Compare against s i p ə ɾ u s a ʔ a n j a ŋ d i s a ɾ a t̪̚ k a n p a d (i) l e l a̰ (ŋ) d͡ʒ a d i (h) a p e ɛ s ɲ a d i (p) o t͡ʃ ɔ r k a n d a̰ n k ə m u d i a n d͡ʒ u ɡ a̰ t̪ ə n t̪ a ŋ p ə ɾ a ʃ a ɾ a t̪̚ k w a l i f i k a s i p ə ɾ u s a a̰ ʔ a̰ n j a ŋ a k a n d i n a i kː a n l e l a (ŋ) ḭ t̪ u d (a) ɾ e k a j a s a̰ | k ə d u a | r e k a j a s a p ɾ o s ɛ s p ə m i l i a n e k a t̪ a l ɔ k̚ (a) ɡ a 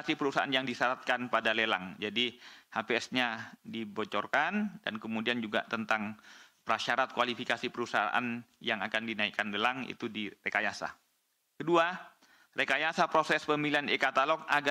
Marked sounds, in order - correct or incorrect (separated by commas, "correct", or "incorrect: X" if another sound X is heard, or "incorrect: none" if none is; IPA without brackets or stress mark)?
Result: incorrect: a, correct, correct, incorrect: b, correct, incorrect: i, correct